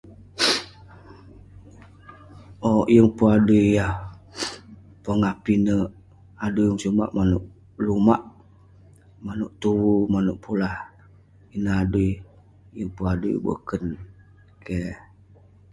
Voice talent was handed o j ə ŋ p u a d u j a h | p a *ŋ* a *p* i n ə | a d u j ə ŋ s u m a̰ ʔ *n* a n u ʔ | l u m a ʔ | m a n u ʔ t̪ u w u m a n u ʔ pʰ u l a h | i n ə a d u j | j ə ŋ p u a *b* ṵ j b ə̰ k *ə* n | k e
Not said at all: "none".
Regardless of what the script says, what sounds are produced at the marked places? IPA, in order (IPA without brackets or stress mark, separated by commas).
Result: ŋ, p, m, d, ə